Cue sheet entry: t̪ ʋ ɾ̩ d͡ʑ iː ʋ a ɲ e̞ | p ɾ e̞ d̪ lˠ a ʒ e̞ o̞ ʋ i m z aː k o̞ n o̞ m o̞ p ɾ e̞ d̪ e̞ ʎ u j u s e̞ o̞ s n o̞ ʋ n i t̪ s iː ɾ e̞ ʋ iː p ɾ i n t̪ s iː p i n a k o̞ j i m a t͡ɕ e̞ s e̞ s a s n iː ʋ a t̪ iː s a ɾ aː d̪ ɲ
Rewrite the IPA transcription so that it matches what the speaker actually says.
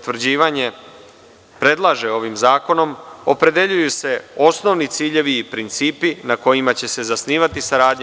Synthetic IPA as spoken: t̪ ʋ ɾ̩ d͡ʑ iː ʋ a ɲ e̞ | p ɾ e̞ d̪ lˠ a ʒ e̞ o̞ ʋ i m z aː k o̞ n o̞ m o̞ p ɾ e̞ d̪ e̞ ʎ u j u s e̞ o̞ s n o̞ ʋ n i t̪ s iː ʎ e̞ ʋ iː p ɾ i n t̪ s iː p i n a k o̞ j i m a t͡ɕ e̞ s e̞ z a s n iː ʋ a t̪ i s a ɾ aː d̪ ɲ